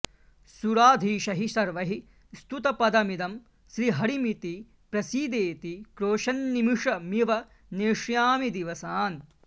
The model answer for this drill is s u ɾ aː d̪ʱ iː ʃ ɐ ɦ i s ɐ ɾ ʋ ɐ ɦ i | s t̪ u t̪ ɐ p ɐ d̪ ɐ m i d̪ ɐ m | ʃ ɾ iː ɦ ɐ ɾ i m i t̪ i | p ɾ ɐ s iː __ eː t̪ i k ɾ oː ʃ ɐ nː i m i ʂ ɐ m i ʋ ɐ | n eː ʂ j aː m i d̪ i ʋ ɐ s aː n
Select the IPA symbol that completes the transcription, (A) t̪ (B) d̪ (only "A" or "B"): B